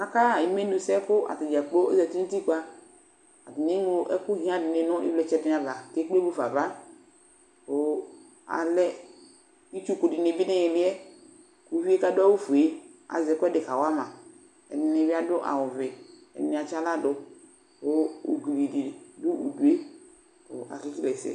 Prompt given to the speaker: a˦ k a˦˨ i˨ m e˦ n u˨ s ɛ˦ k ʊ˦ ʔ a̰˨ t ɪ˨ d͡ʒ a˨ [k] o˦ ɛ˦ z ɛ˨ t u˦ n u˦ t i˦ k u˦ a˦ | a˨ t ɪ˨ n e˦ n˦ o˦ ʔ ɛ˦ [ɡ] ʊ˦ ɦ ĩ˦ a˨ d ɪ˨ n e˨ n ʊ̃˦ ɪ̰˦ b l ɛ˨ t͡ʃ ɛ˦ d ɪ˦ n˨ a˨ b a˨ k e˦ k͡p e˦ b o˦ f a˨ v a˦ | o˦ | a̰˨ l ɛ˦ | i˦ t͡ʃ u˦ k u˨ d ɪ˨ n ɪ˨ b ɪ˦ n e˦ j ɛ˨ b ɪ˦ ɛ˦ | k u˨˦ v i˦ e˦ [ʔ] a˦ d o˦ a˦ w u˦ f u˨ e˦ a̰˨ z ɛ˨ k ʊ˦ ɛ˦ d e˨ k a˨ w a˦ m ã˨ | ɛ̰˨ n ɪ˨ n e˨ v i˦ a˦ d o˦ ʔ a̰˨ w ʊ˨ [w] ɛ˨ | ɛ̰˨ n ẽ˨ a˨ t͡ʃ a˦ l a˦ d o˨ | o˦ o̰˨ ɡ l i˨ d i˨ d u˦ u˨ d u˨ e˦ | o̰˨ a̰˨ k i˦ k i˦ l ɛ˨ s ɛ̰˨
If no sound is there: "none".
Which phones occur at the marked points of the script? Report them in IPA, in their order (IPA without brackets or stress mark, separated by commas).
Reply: k͡p, k, k, v